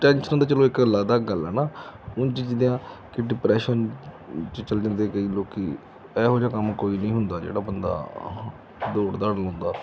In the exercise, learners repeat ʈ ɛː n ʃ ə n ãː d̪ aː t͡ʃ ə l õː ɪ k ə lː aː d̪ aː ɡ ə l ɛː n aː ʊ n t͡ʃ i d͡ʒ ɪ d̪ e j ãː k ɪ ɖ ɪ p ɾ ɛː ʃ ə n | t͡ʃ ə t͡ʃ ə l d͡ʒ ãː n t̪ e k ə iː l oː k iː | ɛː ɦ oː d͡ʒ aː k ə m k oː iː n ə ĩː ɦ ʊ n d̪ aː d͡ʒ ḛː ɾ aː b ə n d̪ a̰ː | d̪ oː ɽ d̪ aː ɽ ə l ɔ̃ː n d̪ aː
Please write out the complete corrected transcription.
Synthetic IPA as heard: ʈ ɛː n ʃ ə n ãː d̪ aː t͡ʃ ə l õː ɪ k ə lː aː d̪ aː ɡ ə l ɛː n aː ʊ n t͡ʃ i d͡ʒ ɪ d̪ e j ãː k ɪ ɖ ɪ p ɾ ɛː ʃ ə n | t͡ʃ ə t͡ʃ ə l d͡ʒ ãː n d̪ e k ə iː l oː k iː | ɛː ɦ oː d͡ʒ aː k ə m k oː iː n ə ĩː ɦ ʊ n d̪ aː d͡ʒ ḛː ɽ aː b ə n d̪ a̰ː | d̪ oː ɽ d̪ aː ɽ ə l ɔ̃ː n d̪ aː